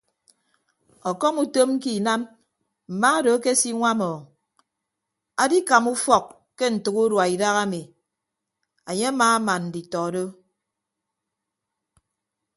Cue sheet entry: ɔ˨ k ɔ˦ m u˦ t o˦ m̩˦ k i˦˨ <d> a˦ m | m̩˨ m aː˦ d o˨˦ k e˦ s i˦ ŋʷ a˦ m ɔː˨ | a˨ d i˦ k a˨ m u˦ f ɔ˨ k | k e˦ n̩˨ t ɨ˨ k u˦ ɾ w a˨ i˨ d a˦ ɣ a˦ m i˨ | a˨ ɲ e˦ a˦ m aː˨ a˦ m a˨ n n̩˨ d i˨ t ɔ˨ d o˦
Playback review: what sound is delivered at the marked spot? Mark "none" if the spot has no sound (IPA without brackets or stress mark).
n